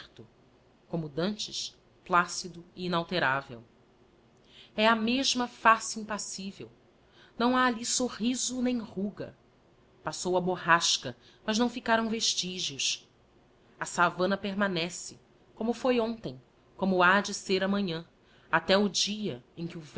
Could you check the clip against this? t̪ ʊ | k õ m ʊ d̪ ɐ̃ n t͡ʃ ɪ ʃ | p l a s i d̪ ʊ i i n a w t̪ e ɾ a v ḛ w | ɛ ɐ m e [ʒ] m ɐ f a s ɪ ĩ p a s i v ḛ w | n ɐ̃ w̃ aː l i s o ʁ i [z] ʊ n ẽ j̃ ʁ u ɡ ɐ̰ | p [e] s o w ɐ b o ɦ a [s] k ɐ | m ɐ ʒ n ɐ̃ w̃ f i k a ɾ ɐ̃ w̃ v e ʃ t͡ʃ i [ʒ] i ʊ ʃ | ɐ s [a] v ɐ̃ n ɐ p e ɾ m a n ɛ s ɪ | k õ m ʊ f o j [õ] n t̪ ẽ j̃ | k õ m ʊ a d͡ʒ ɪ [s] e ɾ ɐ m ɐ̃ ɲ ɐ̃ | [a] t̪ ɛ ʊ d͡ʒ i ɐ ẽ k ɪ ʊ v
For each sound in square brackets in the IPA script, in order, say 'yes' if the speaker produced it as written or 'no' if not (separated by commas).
yes, yes, no, no, yes, yes, yes, yes, yes